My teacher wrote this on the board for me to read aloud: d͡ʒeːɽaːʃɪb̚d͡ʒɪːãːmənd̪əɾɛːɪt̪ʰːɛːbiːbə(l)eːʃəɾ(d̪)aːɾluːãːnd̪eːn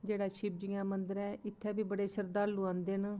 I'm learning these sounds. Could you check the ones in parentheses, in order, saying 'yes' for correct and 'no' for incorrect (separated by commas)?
no, yes